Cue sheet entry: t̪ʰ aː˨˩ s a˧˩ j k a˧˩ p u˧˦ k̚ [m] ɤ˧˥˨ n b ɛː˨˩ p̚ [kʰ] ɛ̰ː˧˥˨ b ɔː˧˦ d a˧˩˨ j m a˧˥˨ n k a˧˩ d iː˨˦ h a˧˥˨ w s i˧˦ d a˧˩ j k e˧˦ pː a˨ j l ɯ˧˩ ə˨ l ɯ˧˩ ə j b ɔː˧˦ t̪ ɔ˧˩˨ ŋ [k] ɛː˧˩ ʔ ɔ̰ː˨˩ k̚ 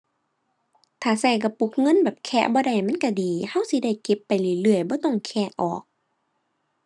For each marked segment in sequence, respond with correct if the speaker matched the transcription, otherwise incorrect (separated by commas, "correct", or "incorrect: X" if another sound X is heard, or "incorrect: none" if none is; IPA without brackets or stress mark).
incorrect: ŋ, correct, incorrect: kʰ